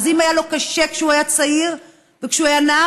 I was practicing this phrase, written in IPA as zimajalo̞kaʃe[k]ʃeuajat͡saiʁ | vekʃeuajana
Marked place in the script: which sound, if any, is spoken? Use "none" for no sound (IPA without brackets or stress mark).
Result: k